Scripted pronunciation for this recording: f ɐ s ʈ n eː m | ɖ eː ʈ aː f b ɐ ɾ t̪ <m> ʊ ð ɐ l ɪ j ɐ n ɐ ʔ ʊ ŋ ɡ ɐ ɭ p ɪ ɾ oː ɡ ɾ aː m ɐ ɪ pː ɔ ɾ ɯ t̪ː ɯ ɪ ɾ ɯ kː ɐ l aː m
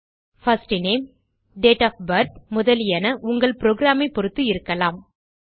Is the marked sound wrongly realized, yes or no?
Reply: no